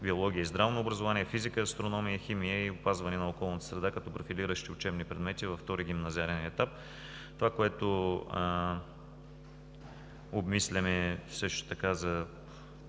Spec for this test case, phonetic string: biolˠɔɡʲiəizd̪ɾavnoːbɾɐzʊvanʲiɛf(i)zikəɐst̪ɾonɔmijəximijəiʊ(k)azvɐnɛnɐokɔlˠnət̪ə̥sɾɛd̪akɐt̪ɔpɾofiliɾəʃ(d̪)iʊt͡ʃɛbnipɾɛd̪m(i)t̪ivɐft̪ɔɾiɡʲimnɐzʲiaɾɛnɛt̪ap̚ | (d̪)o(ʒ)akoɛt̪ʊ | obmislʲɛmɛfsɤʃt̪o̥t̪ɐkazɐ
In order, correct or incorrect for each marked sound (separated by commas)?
correct, incorrect, incorrect, incorrect, incorrect, incorrect